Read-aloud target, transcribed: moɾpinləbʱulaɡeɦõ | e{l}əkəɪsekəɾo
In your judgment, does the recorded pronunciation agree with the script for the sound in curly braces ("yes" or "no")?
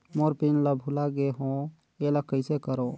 yes